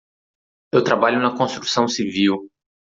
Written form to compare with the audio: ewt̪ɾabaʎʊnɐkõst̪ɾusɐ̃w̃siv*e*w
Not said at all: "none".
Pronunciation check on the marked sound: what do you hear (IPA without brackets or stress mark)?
i